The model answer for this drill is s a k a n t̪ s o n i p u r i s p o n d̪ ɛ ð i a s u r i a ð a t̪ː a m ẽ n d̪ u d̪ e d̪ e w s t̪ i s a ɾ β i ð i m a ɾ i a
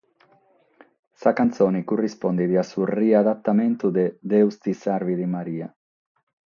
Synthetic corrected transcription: s a k a n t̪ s o n i k u r i s p o n d̪ i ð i a s u r i a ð a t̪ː a m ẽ n t̪ u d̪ e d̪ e w s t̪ i s a ɾ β i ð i m a ɾ i a